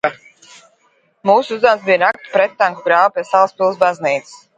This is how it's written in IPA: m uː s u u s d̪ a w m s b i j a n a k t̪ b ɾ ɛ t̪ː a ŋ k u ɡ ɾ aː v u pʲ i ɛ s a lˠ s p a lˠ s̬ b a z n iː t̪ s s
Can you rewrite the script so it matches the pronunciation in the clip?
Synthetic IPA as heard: m uː s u u z d̪ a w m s b i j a n a k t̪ p ɾ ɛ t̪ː a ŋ k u ɡ ɾ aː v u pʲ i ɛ s a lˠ s p i lˠ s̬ b a z n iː t̪ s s